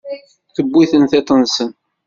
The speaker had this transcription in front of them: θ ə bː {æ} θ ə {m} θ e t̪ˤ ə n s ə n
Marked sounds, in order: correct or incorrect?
incorrect: i, incorrect: n

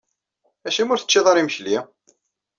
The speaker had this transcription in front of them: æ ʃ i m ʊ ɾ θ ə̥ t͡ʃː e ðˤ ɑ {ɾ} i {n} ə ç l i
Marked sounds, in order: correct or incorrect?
correct, incorrect: m

